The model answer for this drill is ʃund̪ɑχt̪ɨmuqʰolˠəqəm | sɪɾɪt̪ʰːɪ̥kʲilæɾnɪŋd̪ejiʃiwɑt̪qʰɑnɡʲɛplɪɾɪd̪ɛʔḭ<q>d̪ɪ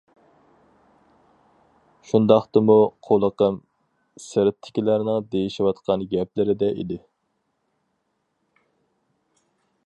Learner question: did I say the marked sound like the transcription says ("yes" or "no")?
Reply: no